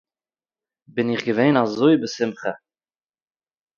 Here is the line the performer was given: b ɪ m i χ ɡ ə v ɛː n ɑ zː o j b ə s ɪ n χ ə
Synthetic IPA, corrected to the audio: b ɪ n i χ ɡ ə v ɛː n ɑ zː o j b ə s ɪ m χ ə